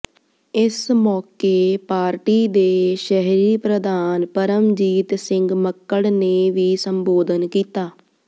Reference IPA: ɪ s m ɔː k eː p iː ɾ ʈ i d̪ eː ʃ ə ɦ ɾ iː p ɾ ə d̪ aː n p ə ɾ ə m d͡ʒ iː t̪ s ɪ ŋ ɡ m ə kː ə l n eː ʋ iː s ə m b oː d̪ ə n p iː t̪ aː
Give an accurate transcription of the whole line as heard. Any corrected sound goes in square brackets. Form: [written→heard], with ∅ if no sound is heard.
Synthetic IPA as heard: ɪ s m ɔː k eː p [iː→aː] ɾ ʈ [i→iː] d̪ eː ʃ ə ɦ ɾ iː p ɾ ə d̪ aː n p ə ɾ ə m d͡ʒ iː t̪ s ɪ ŋ ɡ m ə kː ə [l→ɽ] n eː ʋ iː s ə m b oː d̪ ə n [p→k] iː t̪ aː